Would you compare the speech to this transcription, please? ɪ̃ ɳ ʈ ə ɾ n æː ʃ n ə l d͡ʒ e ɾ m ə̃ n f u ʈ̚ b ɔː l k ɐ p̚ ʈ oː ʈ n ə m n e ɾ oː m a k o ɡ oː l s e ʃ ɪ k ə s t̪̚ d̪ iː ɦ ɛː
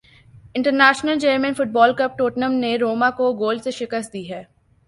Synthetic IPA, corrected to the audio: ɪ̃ ɳ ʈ ə ɾ n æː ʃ n ə l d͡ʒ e ɾ m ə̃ n f ʊ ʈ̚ b ɔː l k ɐ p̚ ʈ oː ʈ n ə m n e ɾ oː m a k o ɡ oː l s e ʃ ɪ k ə s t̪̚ d̪ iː ɦ ɛː

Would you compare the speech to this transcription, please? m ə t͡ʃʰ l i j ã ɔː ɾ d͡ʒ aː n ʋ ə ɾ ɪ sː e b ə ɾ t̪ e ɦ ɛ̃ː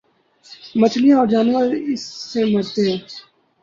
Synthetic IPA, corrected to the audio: m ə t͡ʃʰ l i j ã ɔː ɾ d͡ʒ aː n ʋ ə ɾ ɪ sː e m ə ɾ t̪ e ɦ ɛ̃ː

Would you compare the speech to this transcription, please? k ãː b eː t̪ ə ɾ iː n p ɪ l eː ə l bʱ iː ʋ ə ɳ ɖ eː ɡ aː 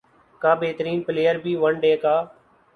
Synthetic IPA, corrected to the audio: k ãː b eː t̪ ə ɾ iː n p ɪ l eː ə ɾ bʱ iː ʋ ə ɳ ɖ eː k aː

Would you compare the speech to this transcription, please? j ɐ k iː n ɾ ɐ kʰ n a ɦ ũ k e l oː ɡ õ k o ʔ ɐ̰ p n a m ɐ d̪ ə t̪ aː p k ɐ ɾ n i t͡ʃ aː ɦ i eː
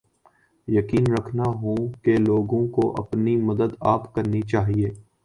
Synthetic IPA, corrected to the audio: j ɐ k iː n ɾ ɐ kʰ n a ɦ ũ k e l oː ɡ õ k o ʔ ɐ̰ p n i m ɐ d̪ ə d̪ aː p k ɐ ɾ n i t͡ʃ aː ɦ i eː

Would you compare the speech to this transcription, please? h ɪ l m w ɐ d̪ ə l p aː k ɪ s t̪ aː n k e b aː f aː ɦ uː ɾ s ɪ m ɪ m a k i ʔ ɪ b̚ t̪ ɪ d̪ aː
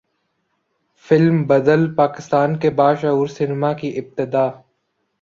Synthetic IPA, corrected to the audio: f ɪ l m b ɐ d̪ ə l p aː k ɪ s t̪ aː n k e b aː ʃ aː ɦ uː ɾ s ɪ n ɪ m a k i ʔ ɪ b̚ t̪ ɪ d̪ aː

